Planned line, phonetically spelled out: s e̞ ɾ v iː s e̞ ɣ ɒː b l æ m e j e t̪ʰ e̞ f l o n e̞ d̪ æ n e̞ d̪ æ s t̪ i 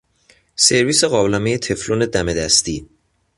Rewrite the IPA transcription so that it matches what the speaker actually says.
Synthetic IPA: s e̞ ɾ v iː s e̞ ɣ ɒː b l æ m e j e t̪ʰ e̞ f l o n e̞ d̪ æ m e̞ d̪ æ s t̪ i